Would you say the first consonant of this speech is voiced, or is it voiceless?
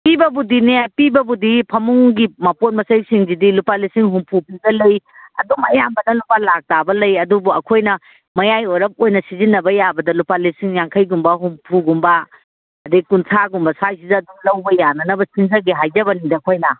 voiceless